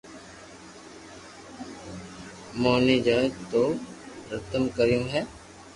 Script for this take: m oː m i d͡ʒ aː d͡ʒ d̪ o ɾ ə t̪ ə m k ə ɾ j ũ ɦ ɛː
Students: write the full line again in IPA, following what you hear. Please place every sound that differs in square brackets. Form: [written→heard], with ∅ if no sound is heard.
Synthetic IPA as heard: m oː [m→n] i d͡ʒ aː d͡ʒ [d̪→t̪] o ɾ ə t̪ ə m k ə ɾ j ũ ɦ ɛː